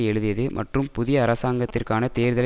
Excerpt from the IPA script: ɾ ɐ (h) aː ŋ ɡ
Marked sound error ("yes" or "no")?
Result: yes